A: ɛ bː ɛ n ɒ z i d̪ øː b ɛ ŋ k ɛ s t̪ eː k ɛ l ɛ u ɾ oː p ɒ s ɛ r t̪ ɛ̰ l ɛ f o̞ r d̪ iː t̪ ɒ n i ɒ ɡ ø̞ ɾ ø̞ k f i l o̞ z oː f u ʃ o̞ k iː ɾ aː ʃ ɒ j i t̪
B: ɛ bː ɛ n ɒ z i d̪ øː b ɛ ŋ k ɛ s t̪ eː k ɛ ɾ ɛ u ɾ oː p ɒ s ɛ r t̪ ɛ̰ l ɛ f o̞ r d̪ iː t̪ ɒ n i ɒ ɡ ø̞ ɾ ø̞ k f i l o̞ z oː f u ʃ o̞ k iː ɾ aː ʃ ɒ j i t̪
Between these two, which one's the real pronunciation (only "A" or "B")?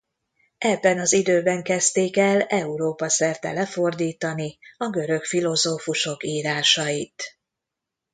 A